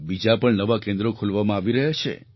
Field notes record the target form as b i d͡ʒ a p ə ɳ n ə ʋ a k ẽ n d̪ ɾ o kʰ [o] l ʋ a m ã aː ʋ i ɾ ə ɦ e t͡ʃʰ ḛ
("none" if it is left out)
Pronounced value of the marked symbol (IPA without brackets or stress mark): u